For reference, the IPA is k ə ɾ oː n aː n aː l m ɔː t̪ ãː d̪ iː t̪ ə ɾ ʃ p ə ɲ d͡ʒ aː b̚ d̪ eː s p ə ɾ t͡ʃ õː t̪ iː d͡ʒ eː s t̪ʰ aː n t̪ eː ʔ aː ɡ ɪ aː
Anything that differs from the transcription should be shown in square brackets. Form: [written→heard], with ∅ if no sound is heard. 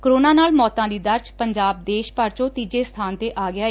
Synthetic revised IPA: k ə ɾ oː n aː n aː l m ɔː t̪ ãː d̪ iː [t̪→d̪] ə ɾ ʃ p ə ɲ d͡ʒ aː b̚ d̪ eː [s→ʃ] p ə ɾ t͡ʃ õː t̪ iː d͡ʒ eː s t̪ʰ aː n t̪ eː ʔ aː ɡ ɪ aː